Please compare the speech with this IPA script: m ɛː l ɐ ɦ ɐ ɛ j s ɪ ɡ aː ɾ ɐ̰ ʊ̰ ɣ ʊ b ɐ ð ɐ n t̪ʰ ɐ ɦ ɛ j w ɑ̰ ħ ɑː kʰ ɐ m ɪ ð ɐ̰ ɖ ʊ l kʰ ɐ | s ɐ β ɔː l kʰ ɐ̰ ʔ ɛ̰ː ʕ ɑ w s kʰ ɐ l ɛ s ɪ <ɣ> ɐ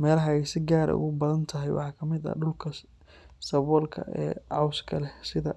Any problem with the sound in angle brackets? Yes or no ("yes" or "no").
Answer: yes